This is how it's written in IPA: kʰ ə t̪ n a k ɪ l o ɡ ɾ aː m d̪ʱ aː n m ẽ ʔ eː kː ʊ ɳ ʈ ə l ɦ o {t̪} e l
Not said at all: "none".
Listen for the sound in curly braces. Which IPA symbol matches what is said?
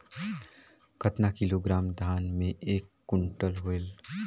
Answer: none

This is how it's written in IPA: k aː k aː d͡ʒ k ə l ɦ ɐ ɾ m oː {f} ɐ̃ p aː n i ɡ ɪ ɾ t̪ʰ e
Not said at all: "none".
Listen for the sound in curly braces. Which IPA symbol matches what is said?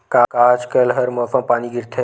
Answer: f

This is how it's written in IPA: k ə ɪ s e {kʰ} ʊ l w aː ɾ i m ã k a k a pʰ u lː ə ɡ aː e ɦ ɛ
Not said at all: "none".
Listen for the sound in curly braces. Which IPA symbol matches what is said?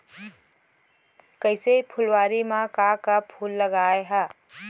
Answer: pʰ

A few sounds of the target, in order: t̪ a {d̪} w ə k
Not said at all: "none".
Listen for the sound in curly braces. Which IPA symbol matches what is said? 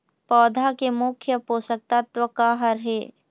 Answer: t̪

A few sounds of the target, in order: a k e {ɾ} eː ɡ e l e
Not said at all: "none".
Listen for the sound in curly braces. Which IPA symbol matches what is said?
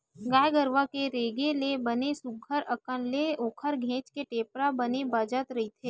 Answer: ɾ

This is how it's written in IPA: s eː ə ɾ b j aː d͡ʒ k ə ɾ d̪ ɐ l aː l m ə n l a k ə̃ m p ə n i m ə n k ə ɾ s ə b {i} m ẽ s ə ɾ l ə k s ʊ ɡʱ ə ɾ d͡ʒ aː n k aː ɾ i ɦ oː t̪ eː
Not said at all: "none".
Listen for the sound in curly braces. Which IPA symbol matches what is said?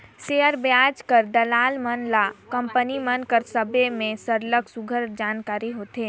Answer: e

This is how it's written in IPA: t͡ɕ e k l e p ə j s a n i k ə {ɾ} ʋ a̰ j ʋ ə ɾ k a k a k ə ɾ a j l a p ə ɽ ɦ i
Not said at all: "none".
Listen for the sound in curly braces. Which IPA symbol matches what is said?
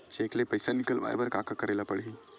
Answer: l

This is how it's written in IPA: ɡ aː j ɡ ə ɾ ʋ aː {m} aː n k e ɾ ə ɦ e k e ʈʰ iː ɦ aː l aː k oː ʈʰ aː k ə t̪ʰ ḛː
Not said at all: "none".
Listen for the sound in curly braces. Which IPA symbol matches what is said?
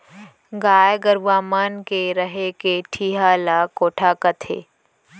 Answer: m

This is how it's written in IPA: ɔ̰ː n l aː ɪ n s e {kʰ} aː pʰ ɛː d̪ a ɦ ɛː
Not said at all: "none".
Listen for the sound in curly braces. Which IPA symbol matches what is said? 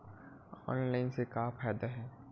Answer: k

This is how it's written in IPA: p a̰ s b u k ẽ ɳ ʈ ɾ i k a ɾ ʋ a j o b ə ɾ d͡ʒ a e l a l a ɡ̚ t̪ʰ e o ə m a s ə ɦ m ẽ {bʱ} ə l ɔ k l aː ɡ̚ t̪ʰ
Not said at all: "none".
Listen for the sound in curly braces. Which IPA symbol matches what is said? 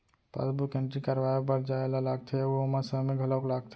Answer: ɡʱ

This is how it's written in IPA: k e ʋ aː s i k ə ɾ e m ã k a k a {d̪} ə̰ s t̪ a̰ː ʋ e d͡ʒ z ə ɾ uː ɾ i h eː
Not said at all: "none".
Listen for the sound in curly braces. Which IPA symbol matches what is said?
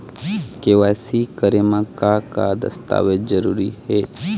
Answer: d̪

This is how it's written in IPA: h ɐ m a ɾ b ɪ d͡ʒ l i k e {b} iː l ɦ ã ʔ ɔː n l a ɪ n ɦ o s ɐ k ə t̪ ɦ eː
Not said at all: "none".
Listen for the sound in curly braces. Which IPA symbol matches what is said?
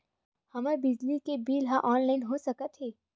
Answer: b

